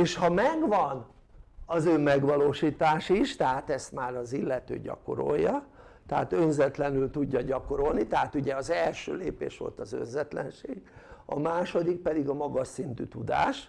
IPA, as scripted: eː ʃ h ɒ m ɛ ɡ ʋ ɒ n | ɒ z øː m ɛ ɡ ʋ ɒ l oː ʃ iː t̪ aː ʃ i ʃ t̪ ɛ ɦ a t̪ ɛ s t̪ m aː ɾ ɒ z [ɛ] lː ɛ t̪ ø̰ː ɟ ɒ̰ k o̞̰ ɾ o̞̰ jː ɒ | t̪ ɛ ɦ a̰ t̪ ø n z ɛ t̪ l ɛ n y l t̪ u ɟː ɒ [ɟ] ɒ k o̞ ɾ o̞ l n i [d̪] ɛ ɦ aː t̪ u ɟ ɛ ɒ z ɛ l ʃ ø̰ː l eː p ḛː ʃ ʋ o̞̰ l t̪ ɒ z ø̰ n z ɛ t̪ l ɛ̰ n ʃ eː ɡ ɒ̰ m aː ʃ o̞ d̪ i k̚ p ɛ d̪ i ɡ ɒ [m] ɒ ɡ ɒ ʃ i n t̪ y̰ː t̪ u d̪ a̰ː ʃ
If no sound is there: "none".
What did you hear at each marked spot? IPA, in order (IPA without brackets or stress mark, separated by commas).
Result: i, ɟ, t̪, m